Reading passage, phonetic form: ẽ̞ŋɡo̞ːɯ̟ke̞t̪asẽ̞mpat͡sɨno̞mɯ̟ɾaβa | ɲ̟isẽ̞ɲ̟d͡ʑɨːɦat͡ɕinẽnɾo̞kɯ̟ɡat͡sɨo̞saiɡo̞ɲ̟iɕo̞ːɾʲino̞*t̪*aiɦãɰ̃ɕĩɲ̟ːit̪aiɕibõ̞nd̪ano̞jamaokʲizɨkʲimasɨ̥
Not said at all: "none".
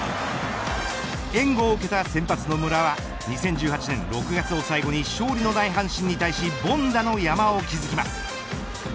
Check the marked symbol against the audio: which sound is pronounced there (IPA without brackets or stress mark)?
d̪